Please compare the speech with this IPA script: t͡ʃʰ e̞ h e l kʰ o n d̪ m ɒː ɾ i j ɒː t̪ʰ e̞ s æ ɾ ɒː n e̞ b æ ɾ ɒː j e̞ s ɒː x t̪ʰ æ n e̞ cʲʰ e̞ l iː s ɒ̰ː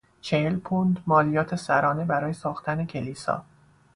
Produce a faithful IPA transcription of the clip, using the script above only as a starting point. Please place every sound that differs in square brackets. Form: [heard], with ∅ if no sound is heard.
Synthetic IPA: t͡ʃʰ e̞ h e l [pʰ] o n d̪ m ɒː [l] i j ɒː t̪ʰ e̞ s æ ɾ ɒː n e̞ b æ ɾ ɒː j e̞ s ɒː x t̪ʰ æ n e̞ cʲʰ e̞ l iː s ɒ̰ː